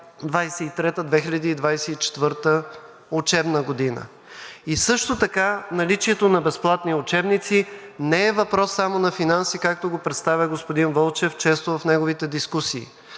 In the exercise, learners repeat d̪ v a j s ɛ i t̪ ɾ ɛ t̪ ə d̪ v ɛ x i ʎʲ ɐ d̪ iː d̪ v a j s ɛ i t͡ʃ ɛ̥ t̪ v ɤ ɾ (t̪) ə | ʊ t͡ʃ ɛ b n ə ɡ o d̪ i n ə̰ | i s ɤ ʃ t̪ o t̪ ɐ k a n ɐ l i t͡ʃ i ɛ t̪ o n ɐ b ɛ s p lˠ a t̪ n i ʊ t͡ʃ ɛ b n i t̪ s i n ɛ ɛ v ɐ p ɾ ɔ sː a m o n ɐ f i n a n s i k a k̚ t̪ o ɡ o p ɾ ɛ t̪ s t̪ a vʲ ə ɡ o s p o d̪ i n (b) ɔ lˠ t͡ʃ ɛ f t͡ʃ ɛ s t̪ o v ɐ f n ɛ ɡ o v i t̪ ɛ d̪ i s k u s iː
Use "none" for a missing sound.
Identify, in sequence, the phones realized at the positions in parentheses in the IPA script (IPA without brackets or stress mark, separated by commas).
t̪, v